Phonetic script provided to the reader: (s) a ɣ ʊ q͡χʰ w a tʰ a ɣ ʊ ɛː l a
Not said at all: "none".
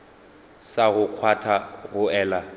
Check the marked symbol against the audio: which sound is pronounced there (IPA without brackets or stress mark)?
s